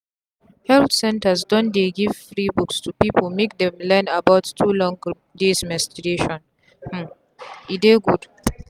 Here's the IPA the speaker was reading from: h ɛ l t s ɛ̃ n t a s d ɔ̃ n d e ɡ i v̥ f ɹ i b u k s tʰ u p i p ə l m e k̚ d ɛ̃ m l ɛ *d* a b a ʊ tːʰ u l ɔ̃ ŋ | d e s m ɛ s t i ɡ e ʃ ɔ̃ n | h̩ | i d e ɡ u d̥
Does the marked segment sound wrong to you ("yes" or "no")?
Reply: yes